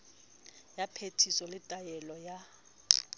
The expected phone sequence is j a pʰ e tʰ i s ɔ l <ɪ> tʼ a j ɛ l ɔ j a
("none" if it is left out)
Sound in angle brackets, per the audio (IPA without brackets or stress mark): ɪ